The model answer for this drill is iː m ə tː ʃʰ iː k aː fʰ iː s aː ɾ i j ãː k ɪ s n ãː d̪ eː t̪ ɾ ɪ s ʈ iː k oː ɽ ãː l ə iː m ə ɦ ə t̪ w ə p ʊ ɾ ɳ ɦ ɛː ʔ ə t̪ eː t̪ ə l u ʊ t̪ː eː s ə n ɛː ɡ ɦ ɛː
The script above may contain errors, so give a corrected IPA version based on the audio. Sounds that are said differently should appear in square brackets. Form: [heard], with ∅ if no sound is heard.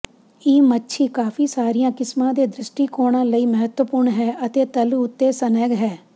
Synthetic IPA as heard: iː m ə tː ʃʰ iː k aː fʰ iː s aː ɾ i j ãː k ɪ s [m] ãː d̪ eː [d̪] ɾ ɪ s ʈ iː k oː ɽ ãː l ə iː m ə ɦ ə t̪ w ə p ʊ ɾ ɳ ɦ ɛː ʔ ə t̪ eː t̪ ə l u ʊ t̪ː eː s ə n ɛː ɡ ɦ ɛː